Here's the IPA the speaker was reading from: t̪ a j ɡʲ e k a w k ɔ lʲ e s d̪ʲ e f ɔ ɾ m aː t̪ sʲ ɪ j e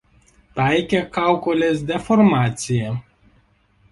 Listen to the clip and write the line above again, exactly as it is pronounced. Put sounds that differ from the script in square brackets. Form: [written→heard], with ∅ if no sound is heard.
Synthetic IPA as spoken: t̪ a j [ɡʲ→kʲ] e k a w k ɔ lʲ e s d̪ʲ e f ɔ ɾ m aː t̪ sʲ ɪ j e